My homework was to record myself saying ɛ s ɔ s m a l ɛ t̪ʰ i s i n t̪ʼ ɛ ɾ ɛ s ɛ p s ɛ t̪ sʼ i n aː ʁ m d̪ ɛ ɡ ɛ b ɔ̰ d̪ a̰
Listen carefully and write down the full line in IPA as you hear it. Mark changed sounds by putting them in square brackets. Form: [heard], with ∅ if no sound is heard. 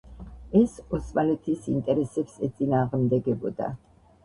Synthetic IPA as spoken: ɛ s ɔ s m a l ɛ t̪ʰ i s i n t̪ʼ ɛ ɾ ɛ s ɛ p s ɛ t̪ sʼ i n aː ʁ m d̪ ɛ ɡ ɛ b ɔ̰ d̪ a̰